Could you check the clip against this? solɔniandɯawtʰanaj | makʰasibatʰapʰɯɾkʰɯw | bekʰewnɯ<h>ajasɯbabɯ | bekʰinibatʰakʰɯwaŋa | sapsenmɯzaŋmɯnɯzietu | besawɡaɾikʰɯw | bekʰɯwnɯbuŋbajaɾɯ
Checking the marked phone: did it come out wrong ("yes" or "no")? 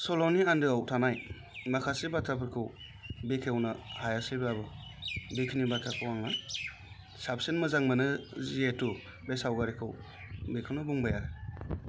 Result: no